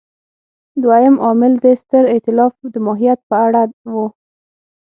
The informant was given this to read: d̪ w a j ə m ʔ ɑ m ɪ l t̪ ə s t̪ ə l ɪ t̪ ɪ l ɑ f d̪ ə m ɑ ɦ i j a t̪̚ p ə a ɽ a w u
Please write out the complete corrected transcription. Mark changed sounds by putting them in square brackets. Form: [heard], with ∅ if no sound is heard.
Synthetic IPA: d̪ w a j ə m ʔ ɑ m ɪ l [d̪] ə s t̪ ə [ɾ] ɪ t̪ ɪ l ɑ f d̪ ə m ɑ ɦ i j a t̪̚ p ə a ɽ a w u